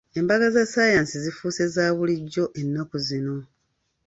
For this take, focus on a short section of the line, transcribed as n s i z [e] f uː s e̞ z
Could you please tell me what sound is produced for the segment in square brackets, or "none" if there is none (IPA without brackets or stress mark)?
i